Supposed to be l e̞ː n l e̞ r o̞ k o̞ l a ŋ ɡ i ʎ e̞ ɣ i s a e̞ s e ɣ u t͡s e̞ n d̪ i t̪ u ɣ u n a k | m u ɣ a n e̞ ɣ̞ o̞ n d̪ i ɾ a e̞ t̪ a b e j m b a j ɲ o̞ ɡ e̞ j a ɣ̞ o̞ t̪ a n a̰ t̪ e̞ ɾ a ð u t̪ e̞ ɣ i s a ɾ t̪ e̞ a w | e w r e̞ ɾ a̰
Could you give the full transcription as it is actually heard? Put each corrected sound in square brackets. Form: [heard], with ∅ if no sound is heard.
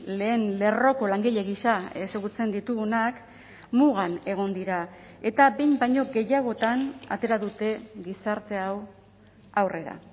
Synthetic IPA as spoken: l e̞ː n l e̞ r o̞ k o̞ l a ŋ ɡ i ʎ e̞ ɣ i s a e̞ s e ɣ u t͡s e̞ n d̪ i t̪ u ɣ u n a k | m u ɣ a n e̞ ɣ̞ o̞ n d̪ i ɾ a e̞ t̪ a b e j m b a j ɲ o̞ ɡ e̞ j a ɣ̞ o̞ t̪ a n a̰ t̪ e̞ ɾ a ð u t̪ e̞ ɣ i s a ɾ t̪ e̞ a w | [a] w r e̞ ɾ a̰